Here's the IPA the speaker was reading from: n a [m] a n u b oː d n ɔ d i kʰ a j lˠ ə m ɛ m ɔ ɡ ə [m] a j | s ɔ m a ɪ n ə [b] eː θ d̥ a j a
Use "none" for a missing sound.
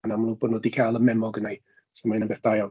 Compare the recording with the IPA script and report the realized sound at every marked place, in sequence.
m, n, b

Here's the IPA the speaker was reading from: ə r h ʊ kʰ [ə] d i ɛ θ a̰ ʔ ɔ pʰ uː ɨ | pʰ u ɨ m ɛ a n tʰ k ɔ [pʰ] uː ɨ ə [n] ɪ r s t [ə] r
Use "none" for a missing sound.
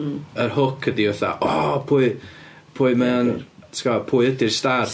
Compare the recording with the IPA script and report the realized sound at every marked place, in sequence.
ə, pʰ, d, a

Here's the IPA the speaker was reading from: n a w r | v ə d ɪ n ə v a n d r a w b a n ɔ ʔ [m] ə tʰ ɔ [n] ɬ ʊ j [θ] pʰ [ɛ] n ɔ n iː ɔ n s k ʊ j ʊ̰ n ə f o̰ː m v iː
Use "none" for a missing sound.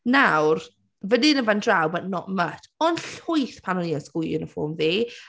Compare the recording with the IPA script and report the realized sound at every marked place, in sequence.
m, n, θ, a

